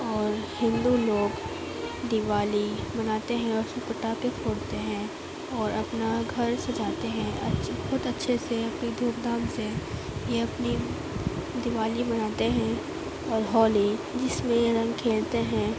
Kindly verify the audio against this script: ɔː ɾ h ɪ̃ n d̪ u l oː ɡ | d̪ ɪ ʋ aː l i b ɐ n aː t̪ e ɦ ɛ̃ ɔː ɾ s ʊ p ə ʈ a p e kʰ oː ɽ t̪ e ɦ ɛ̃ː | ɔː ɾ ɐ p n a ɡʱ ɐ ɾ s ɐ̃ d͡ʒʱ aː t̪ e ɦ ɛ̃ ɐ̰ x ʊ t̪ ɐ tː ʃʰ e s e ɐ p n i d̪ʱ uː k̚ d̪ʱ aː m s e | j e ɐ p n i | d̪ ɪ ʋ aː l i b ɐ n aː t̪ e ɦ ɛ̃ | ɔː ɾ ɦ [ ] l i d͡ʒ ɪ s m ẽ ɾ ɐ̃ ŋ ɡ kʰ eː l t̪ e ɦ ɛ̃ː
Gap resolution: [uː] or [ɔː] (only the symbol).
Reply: ɔː